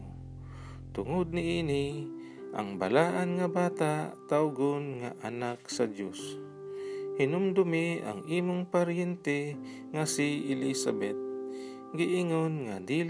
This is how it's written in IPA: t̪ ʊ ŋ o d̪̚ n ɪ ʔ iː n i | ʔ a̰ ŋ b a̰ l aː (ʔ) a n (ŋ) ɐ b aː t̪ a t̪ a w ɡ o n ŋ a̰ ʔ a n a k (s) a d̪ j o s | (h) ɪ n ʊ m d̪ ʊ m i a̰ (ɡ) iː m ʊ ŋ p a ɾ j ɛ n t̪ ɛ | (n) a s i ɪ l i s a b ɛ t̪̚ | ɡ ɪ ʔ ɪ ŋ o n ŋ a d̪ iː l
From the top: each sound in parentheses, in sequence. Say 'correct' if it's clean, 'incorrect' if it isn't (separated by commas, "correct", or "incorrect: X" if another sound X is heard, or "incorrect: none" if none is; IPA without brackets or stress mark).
correct, correct, correct, correct, incorrect: ŋ, incorrect: ŋ